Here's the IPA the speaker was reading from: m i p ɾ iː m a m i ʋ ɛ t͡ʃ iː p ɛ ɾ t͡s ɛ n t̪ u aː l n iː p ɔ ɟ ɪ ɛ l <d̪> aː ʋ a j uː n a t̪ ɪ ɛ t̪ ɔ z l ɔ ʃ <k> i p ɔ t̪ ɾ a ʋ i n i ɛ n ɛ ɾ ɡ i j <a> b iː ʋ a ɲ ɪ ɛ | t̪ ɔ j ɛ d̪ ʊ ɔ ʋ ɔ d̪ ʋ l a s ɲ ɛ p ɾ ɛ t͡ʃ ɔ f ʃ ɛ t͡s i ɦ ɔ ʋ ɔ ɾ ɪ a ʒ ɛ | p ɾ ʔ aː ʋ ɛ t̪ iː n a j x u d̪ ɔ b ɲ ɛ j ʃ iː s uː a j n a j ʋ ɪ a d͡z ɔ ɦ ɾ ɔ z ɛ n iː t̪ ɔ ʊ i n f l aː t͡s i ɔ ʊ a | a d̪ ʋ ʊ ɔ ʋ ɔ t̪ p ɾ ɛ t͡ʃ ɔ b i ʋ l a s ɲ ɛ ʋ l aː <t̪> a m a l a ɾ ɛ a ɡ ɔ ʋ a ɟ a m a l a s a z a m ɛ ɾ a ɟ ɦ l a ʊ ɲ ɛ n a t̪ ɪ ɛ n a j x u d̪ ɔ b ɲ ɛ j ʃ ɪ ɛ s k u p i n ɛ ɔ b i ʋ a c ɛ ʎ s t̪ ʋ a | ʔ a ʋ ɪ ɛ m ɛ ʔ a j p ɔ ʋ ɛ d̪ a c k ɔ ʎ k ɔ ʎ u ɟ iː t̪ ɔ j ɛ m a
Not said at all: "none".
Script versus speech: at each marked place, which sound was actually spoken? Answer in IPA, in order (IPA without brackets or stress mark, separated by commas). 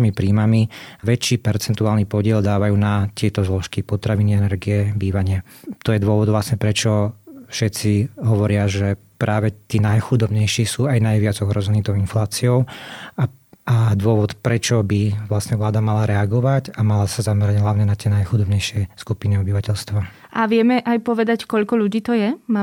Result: d̪, k, ɛ, d̪